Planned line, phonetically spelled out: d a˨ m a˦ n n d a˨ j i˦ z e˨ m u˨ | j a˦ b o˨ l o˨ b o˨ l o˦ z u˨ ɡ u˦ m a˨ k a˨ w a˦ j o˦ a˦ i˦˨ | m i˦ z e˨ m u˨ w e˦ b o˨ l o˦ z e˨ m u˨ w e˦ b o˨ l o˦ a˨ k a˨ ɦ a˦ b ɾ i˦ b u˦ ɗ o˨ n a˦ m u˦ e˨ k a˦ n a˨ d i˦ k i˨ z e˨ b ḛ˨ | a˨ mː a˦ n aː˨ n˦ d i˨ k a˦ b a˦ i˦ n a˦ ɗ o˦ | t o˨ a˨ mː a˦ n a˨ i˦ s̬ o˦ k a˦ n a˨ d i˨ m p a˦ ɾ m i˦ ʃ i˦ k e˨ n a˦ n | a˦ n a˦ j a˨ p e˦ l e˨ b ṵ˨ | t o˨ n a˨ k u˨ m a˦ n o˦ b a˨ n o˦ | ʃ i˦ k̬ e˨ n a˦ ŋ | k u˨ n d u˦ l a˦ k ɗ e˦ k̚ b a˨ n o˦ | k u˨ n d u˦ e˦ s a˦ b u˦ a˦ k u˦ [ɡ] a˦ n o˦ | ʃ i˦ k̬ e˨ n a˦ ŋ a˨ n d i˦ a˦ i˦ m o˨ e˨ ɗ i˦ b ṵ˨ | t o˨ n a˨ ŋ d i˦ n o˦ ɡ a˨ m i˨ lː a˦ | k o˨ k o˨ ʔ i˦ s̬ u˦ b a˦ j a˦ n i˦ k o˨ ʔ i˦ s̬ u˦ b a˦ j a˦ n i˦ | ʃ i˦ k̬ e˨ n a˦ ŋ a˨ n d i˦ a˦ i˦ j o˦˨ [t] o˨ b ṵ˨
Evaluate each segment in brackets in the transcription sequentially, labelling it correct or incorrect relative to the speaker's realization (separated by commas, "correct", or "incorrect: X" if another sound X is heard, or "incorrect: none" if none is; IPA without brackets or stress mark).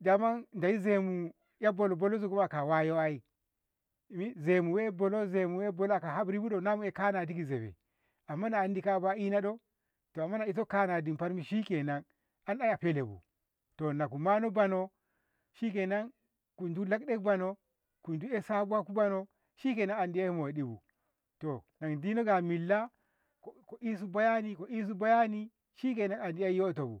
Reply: incorrect: b, correct